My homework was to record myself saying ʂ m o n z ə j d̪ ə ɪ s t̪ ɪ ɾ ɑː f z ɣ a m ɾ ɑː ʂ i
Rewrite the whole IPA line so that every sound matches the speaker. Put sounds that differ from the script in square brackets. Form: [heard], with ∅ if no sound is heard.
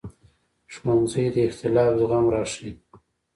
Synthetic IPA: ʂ m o n z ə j d̪ ə ɪ [x] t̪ ɪ [l] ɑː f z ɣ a m ɾ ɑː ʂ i